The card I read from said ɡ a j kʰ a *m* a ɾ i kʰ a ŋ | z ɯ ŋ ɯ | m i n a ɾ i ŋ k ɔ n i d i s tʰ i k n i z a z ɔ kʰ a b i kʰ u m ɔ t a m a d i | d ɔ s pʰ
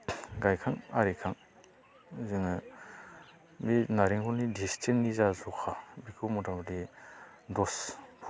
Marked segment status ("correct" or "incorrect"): incorrect